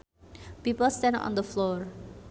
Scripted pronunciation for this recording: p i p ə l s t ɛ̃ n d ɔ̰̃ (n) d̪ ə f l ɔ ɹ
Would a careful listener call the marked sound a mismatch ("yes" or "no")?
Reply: no